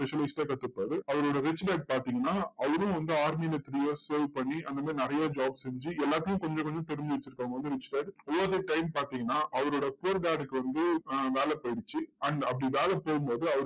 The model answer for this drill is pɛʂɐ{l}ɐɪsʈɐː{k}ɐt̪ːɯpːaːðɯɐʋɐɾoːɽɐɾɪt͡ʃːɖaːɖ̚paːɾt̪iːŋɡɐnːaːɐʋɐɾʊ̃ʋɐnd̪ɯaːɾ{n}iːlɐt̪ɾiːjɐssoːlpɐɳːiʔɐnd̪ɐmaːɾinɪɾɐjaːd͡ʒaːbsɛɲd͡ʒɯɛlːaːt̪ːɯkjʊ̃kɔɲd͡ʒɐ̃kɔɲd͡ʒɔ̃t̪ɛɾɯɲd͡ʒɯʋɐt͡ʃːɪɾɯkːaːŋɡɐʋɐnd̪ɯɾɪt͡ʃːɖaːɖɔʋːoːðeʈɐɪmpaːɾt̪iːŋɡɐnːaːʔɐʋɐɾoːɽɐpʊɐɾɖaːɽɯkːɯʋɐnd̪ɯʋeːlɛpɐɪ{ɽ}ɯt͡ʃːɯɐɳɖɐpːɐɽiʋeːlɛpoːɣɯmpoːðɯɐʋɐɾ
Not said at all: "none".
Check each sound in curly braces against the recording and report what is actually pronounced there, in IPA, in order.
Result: l, k, m, ɽ

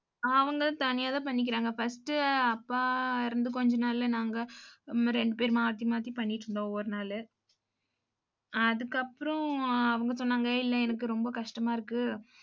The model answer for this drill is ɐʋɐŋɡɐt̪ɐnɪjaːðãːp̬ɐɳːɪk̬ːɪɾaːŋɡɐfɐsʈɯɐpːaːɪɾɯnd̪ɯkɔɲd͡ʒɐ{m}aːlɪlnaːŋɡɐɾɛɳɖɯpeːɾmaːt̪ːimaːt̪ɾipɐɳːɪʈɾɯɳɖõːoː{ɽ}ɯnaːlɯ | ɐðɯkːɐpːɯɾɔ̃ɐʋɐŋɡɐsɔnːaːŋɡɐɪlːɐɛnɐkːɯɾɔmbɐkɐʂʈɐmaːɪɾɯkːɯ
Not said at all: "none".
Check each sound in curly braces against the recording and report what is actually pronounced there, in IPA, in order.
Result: n, ɾ

